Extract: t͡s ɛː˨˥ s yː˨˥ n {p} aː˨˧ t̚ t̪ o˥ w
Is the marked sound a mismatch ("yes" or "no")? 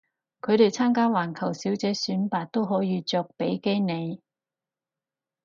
no